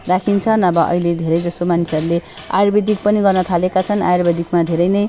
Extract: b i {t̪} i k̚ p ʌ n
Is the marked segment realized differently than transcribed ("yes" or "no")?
yes